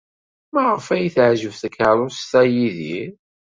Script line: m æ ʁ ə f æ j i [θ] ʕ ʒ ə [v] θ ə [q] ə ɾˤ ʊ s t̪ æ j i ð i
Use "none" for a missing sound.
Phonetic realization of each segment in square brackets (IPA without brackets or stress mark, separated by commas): θ, v, k